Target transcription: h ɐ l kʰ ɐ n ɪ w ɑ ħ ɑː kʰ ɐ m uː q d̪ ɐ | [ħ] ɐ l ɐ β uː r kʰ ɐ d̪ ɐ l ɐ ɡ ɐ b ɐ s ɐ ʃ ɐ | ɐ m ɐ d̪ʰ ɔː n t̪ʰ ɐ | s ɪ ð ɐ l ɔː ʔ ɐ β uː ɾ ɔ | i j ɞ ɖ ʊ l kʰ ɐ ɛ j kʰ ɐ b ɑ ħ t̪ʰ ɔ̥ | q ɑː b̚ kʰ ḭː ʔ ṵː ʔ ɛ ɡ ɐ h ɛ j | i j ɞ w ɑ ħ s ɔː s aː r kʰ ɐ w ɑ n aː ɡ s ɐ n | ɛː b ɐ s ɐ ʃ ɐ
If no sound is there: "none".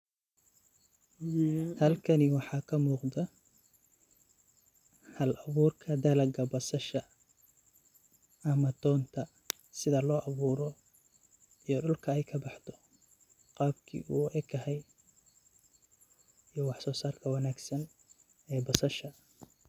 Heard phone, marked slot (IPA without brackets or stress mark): h